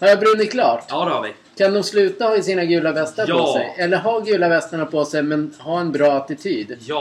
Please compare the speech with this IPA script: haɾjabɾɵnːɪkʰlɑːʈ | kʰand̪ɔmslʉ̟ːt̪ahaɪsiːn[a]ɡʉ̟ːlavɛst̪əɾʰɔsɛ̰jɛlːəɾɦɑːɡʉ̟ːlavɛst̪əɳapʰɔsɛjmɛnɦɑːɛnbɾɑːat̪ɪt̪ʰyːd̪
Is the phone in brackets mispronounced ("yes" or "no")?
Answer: no